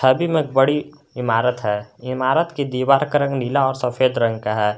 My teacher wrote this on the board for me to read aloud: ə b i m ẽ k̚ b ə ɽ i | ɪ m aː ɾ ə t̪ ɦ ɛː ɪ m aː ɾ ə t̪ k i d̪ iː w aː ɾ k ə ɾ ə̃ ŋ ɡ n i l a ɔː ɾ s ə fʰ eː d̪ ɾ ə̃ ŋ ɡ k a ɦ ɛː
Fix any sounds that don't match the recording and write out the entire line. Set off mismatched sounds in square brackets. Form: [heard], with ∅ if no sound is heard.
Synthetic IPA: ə b i m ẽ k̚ b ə ɽ i | ɪ m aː ɾ ə t̪ ɦ ɛː ɪ m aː ɾ ə t̪ k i d̪ iː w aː ɾ k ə ɾ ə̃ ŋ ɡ n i l a ɔː ɾ s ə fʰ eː d̪ ɾ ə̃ ŋ ɡ k a ɦ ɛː